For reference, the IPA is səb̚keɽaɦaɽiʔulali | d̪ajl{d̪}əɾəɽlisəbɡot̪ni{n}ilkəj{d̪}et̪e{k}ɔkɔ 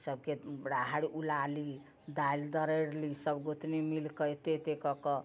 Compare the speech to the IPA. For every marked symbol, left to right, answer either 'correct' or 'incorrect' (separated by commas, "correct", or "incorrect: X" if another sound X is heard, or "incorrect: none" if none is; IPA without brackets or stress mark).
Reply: correct, incorrect: m, incorrect: t̪, correct